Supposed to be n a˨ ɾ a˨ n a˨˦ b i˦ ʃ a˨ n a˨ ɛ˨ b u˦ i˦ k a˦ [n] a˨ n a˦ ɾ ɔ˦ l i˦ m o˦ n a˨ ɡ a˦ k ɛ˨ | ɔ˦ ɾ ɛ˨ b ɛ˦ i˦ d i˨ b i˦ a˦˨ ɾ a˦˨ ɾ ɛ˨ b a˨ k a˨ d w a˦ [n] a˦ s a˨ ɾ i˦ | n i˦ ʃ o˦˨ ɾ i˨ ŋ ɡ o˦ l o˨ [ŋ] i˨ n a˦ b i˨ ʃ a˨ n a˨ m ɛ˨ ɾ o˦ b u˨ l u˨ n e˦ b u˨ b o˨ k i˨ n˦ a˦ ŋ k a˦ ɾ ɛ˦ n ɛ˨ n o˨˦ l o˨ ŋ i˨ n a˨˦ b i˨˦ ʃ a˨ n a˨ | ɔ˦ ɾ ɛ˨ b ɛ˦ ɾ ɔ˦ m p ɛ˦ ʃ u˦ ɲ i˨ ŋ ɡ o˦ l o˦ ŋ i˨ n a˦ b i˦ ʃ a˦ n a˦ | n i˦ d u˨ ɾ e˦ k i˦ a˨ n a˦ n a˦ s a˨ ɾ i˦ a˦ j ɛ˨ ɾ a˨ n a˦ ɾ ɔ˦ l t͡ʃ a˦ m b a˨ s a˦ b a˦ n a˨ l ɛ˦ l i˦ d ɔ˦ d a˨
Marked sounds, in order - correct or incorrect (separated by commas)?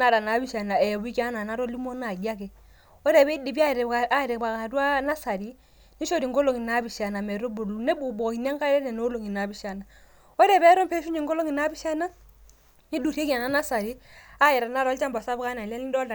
correct, correct, correct